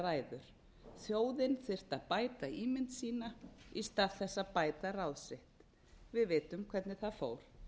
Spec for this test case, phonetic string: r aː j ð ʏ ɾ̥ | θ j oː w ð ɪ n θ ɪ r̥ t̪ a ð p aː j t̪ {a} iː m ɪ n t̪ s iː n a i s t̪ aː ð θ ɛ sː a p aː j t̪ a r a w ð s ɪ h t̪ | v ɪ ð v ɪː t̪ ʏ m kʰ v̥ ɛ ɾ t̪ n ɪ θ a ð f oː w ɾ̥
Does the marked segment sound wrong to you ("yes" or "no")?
no